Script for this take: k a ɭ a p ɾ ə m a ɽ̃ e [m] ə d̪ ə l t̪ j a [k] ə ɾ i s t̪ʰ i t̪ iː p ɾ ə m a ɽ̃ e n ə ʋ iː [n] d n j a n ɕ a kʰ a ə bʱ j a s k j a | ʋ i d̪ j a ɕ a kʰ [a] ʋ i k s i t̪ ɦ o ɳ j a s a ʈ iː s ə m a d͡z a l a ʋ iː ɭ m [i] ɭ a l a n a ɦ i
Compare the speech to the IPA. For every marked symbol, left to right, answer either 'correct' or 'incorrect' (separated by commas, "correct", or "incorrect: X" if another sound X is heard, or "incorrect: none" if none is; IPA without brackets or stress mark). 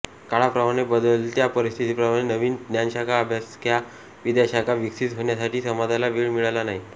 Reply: incorrect: b, incorrect: p, correct, correct, correct